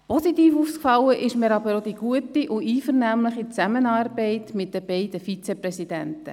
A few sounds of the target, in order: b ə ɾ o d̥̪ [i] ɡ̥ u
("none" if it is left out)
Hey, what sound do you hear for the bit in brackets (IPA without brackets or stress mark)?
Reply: i